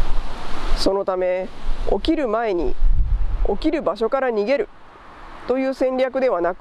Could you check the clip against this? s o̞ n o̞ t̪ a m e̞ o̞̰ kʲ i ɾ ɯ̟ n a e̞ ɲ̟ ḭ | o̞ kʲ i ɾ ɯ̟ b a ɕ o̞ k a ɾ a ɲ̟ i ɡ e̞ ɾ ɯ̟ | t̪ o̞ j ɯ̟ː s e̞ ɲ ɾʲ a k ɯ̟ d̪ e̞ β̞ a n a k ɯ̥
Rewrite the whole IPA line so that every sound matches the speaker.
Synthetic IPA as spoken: s o̞ n o̞ t̪ a m e̞ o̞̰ kʲ i ɾ ɯ̟ m a e̞ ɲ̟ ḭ | o̞ kʲ i ɾ ɯ̟ b a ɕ o̞ k a ɾ a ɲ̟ i ɡ e̞ ɾ ɯ̟ | t̪ o̞ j ɯ̟ː s ẽ̞ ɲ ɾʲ a k ɯ̟ d̪ e̞ β̞ a n a k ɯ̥

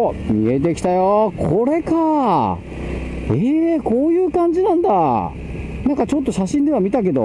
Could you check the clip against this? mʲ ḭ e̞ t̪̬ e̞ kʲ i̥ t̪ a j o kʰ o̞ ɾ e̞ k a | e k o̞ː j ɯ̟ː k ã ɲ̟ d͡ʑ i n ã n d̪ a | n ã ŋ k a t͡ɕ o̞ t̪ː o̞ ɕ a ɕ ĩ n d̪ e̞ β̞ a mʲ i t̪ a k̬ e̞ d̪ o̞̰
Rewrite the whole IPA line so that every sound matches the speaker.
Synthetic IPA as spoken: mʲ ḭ e̞ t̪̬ e̞ kʲ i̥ t̪ a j o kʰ o̞ ɾ e̞ k a | e k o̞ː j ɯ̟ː k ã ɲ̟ d͡ʑ i n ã n d̪ a | n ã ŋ k a t͡ɕ o̞ t̪ː o̞ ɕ a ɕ ĩ n d̪ e̞ β̞ a mʲ i t̪ a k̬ e̞ d̪ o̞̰

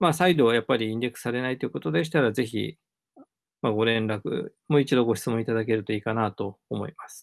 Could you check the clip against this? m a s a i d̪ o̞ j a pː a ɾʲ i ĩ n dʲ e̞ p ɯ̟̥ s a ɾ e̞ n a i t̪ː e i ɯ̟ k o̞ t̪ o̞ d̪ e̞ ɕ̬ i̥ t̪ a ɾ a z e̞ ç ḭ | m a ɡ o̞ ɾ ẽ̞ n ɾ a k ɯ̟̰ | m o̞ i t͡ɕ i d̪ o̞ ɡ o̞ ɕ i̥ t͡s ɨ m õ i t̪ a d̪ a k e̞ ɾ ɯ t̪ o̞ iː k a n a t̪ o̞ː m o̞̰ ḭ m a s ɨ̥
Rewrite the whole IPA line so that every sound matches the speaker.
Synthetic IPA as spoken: m a s a i d̪ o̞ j a pː a ɾʲ i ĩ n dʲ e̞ k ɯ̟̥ s a ɾ e̞ n a i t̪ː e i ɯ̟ k o̞ t̪ o̞ d̪ e̞ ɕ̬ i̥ t̪ a ɾ a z e̞ ç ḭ | m a ɡ o̞ ɾ ẽ̞ n ɾ a k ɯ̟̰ | m o̞ i t͡ɕ i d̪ o̞ ɡ o̞ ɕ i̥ t͡s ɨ m õ i t̪ a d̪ a k e̞ ɾ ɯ t̪ o̞ iː k a n a t̪ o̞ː m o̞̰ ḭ m a s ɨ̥

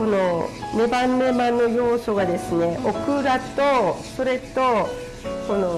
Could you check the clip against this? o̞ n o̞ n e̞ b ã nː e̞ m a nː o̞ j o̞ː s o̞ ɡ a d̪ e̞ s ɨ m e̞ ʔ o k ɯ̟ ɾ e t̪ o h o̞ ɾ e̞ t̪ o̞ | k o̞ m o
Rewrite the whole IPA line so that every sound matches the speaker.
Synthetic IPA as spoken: o̞ n o̞ n e̞ b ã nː e̞ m a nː o̞ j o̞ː s o̞ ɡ a d̪ e̞ s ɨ n e̞ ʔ o k ɯ̟ ɾ a t̪ o s o̞ ɾ e̞ t̪ o̞ | k o̞ n o

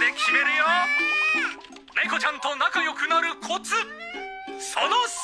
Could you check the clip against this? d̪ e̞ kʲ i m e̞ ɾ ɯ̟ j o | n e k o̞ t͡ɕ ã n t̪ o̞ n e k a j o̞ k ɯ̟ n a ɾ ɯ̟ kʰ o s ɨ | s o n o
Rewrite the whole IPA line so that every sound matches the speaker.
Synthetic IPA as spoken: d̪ e̞ kʲ i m e̞ ɾ ɯ̟ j o | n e k o̞ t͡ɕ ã n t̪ o̞ n a k a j o̞ k ɯ̟ n a ɾ ɯ̟ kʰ o t͡s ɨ | s o n o

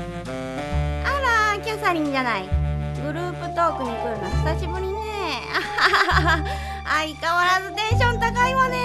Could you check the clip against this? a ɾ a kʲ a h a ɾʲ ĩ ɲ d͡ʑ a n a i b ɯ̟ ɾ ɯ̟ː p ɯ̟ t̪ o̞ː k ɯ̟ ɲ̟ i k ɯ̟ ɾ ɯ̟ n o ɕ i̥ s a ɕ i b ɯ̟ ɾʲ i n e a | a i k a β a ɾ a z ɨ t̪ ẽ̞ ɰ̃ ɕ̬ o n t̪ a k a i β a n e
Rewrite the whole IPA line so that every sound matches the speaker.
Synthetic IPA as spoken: a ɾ a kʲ a s a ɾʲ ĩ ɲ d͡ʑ a n a i ɡ ɯ̟ ɾ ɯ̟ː p ɯ̟ t̪ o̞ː k ɯ̟ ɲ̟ i k ɯ̟ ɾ ɯ̟ n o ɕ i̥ s a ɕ i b ɯ̟ ɾʲ i n e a | a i k a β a ɾ a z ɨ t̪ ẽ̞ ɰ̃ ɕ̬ õ n t̪ a k a i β a n e

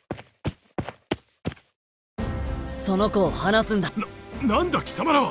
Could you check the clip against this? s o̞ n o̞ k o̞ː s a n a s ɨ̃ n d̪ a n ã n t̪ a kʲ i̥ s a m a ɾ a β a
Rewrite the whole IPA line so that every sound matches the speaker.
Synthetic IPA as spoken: s o̞ n o̞ k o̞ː h a n a s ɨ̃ n d̪ a n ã n d̪ a kʲ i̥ s a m a ɾ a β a

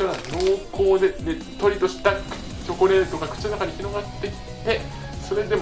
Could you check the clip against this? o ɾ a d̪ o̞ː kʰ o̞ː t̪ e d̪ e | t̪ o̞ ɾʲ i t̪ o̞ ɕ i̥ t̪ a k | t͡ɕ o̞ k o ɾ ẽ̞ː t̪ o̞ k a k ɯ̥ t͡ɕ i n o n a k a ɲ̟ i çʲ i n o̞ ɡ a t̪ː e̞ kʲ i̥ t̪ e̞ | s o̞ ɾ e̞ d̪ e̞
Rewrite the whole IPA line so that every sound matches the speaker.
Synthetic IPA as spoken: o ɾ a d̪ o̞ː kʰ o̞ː d̪ e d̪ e | t̪ o̞ ɾʲ i t̪ o̞ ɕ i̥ t̪ a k | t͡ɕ o̞ k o ɾ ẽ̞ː t̪ o̞ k a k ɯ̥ t͡ɕ i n o n a k a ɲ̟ i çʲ i n o̞ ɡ a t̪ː e̞ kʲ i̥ t̪ e̞ | s o̞ ɾ e̞ d̪ e̞

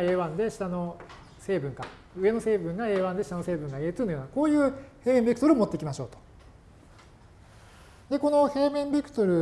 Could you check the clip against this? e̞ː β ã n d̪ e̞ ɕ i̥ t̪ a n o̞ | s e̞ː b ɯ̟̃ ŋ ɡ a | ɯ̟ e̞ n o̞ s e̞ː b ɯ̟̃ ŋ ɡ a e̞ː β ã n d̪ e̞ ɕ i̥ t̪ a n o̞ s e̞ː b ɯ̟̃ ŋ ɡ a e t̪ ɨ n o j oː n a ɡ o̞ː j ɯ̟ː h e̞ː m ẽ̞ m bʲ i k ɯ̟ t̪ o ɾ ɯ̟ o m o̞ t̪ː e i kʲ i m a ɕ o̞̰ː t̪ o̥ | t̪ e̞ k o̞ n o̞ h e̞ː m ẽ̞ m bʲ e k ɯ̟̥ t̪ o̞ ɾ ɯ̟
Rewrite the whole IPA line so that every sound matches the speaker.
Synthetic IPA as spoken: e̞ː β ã n d̪ e̞ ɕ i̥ t̪ a n o̞ | s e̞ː b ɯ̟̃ ŋ k a | ɯ̟ e̞ n o̞ s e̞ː b ɯ̟̃ ŋ ɡ a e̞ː β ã n d̪ e̞ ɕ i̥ t̪ a n o̞ s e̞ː b ɯ̟̃ ŋ ɡ a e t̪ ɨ n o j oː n a k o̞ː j ɯ̟ː h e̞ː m ẽ̞ m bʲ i k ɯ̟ t̪ o ɾ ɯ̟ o m o̞ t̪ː e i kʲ i m a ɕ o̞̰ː t̪ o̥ | d̪ e̞ k o̞ n o̞ h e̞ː m ẽ̞ m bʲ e k ɯ̟̥ t̪ o̞ ɾ ɯ̟

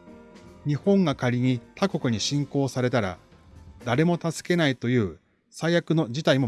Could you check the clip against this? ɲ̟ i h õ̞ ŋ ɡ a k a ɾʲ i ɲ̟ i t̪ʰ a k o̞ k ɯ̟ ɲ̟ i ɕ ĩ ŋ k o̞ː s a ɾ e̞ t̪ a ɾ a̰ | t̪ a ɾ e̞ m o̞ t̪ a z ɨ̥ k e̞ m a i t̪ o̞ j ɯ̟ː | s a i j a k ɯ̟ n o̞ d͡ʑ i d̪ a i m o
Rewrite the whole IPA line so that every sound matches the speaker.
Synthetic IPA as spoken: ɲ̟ i h õ̞ ŋ ɡ a k a ɾʲ i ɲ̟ i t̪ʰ a k o̞ k ɯ̟ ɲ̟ i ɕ ĩ ŋ k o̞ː s a ɾ e̞ t̪ a ɾ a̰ | d̪ a ɾ e̞ m o̞ t̪ a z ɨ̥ k e̞ n a i t̪ o̞ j ɯ̟ː | s a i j a k ɯ̟ n o̞ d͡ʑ i t̪ a i m o

